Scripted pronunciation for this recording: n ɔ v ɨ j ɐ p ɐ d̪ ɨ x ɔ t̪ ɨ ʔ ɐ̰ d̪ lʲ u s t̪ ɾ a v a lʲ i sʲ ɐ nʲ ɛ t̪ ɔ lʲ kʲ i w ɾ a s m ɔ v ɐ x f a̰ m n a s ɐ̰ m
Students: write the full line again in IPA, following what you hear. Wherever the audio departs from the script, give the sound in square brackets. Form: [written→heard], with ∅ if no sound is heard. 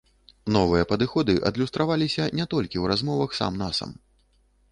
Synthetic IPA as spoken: n ɔ v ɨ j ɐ p ɐ d̪ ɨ x ɔ [t̪→d̪] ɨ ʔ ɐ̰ d̪ lʲ u s t̪ ɾ a v a lʲ i sʲ ɐ nʲ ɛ t̪ ɔ lʲ kʲ i w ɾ a [s→z] m ɔ v ɐ x [f→s] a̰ m n a s ɐ̰ m